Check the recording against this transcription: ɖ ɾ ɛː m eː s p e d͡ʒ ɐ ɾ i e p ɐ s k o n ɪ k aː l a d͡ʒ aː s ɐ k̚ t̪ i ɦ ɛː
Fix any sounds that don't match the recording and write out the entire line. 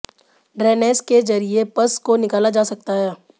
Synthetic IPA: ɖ ɾ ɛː n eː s k e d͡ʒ ɐ ɾ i e p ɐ s k o n ɪ k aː l a d͡ʒ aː s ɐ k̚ t̪ a ɦ ɛː